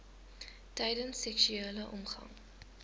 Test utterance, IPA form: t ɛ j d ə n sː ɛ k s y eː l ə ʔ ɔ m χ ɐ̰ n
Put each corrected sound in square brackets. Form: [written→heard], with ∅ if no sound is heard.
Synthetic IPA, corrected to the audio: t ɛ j d ə n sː ɛ k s y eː l ə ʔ ɔ m χ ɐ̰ [n→ŋ]